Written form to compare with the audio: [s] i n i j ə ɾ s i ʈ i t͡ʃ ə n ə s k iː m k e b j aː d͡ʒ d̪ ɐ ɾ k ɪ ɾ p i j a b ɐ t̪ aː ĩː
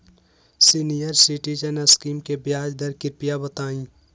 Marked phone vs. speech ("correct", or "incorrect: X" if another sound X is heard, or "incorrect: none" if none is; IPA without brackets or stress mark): correct